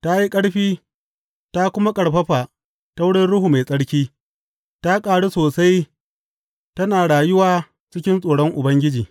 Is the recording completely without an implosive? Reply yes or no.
yes